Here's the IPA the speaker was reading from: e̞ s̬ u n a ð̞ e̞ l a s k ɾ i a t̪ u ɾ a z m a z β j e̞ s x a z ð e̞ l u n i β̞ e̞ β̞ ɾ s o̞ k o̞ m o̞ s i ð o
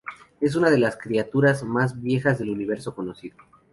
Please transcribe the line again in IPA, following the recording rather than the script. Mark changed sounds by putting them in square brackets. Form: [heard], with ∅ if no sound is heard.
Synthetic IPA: e̞ s̬ u n a ð̞ e̞ l a s k ɾ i a t̪ u ɾ a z m a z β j e̞ [∅] x a z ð e̞ l u n i β̞ e̞ [∅] ɾ s o̞ k o̞ [n] o̞ s i ð o